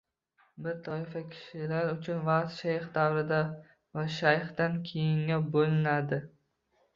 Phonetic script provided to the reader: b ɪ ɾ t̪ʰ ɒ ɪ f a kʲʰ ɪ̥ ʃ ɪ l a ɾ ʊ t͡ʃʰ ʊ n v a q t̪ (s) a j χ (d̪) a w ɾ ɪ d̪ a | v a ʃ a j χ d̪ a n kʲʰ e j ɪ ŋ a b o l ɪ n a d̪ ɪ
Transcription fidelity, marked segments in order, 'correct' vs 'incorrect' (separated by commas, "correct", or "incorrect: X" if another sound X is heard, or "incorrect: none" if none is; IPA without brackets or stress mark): incorrect: ʃ, correct